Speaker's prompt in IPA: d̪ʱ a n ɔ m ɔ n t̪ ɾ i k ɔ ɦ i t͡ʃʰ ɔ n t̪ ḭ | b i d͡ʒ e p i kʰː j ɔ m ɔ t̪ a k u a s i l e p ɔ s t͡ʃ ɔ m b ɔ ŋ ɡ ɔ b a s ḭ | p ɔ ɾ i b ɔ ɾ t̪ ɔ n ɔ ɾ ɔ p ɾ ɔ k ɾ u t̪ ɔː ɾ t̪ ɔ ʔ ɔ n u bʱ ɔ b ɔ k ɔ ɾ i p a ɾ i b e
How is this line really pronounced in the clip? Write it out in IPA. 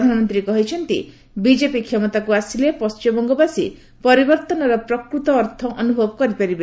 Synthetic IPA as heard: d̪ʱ a n ɔ m ɔ n t̪ ɾ i k ɔ ɦ i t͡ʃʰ ɔ n t̪ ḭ | b i d͡ʒ e p i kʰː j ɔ m ɔ t̪ a k u a s i l e p ɔ s t͡ʃ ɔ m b ɔ ŋ ɡ ɔ b a s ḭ | p ɔ ɾ i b ɔ ɾ t̪ ɔ n ɔ ɾ ɔ p ɾ ɔ k ɾ u t̪ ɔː ɾ t̪ʰ ɔ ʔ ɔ n u bʱ ɔ b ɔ k ɔ ɾ i p a ɾ i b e